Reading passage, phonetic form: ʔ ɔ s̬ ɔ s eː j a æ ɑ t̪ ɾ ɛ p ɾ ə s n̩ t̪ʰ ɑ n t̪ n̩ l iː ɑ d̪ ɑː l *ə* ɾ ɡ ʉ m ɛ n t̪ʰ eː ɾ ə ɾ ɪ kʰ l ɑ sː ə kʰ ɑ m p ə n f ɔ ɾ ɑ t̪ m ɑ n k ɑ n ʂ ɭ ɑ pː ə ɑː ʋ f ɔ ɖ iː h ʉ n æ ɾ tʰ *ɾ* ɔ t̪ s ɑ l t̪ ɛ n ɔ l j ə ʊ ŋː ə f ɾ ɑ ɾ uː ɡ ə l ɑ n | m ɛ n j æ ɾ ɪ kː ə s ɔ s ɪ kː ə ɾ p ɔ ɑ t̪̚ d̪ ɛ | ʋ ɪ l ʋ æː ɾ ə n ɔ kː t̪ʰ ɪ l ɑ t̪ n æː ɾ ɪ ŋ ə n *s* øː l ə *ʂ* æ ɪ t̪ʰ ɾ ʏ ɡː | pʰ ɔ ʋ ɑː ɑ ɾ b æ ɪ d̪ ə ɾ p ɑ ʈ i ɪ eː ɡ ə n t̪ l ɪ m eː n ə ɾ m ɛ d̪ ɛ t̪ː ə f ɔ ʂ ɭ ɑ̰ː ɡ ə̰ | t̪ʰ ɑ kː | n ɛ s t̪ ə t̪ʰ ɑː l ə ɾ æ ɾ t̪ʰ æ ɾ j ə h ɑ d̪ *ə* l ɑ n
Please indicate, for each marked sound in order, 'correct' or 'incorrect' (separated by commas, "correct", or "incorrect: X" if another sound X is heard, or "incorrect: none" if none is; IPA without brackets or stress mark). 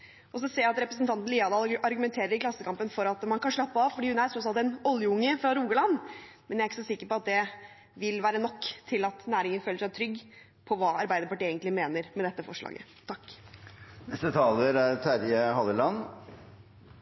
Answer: incorrect: ɑ, correct, incorrect: f, correct, correct